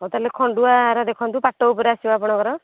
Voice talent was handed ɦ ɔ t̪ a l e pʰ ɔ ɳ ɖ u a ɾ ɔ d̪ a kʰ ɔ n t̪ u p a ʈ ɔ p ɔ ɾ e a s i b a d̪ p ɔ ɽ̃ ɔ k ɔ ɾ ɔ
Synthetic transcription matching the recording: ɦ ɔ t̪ a l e kʰ ɔ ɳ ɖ u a ɾ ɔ d̪ e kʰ ɔ n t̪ u p a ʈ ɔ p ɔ ɾ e a s i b a p ɔ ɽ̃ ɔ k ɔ ɾ ɔ

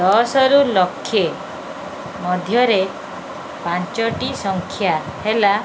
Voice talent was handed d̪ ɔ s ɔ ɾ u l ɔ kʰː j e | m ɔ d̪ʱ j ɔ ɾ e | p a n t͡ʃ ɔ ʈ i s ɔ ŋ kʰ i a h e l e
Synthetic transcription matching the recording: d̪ ɔ s ɔ ɾ u l ɔ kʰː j e | m ɔ d̪ʱ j ɔ ɾ e | p a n t͡ʃ ɔ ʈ i s ɔ ŋ kʰ j a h e l a

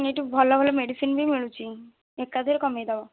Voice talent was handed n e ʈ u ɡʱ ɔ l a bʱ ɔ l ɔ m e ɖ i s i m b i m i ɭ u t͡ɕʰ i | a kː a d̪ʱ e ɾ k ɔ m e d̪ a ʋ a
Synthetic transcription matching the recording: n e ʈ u bʱ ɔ l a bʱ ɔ l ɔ m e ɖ i s i n b i m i ɭ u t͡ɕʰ i | e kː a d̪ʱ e ɾ k ɔ m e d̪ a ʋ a

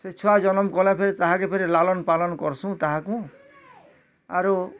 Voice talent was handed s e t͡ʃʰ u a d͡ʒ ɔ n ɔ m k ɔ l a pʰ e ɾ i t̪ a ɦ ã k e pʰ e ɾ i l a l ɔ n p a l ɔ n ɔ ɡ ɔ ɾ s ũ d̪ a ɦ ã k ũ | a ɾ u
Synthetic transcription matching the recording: s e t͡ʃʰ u a d͡ʒ ɔ n ɔ m k ɔ l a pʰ e ɾ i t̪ a ɦ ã k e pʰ e ɾ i l a l ɔ n p a l ɔ n ɔ k ɔ ɾ s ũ t̪ a ɦ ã k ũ | a ɾ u

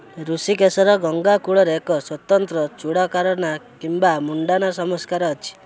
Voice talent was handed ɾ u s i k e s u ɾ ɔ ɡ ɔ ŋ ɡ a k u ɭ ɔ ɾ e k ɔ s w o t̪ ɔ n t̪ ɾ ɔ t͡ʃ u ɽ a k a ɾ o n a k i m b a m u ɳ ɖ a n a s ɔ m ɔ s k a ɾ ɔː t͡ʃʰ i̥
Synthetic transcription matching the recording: ɾ u s i k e s ɔ ɾ ɔ ɡ ɔ ŋ ɡ a k u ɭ ɔ ɾ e k ɔ s w ɔ t̪ ɔ n t̪ ɾ ɔ t͡ʃ u ɽ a k a ɾ ɔ n a k i m b a m u ɳ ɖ a n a s ɔ m ɔ s k a ɾ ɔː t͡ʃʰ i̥

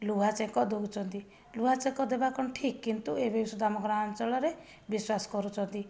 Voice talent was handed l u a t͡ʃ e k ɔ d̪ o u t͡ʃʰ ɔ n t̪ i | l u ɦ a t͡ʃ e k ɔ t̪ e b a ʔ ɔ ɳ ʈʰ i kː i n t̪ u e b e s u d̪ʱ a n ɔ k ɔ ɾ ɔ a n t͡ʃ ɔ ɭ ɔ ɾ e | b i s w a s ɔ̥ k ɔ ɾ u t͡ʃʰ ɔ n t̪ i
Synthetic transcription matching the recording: l u a t͡ʃ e k ɔ d̪ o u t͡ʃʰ ɔ n t̪ i | l u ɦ a t͡ʃ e k ɔ d̪ e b a k ɔ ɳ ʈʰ i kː i n t̪ u e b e s u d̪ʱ a m ɔ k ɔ ɾ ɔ a n t͡ʃ ɔ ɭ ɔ ɾ e | b i s w a s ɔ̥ k ɔ ɾ u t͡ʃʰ ɔ n t̪ i

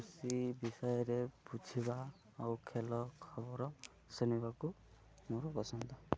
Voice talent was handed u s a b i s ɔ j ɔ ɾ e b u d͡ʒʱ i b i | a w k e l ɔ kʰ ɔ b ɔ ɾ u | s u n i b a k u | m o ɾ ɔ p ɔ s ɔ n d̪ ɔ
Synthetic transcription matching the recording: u s i b i s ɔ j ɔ ɾ e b u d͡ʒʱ i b a | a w kʰ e l ɔ kʰ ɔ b ɔ ɾ ɔ | s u n i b a k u | m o ɾ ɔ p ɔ s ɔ n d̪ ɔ

